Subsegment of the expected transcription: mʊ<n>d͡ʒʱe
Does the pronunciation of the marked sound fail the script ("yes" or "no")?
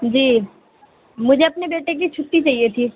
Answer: yes